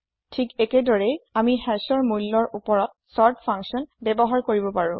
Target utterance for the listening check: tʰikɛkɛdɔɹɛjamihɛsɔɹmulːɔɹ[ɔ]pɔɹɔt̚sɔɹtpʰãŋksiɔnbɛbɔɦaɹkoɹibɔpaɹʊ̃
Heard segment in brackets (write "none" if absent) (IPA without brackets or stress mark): u